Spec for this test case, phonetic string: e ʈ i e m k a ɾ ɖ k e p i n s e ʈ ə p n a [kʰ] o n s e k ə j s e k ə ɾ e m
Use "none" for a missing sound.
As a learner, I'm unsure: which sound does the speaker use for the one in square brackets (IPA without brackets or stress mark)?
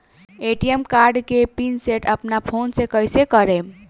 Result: pʰ